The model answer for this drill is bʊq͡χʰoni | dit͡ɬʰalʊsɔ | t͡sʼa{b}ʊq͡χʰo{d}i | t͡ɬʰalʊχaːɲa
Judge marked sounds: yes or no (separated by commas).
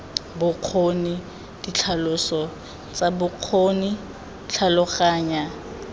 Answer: yes, no